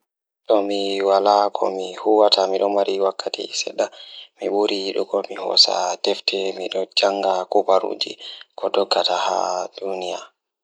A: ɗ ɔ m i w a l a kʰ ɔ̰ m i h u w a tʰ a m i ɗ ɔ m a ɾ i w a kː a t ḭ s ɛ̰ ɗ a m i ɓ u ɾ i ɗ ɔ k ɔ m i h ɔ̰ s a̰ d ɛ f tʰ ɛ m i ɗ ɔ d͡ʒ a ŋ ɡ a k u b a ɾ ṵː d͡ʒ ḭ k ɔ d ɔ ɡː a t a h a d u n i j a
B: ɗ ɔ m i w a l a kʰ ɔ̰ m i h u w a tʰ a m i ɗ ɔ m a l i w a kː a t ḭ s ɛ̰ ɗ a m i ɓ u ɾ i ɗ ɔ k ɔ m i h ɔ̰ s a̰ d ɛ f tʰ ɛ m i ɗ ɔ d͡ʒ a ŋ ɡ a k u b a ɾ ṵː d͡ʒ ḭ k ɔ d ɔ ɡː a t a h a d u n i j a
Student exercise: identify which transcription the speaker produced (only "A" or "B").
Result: A